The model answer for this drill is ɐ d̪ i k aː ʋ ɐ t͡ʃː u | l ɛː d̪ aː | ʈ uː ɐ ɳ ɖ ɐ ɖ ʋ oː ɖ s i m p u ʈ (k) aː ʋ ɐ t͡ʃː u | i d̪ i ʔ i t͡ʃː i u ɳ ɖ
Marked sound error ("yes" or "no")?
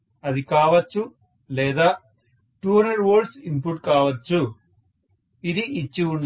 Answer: no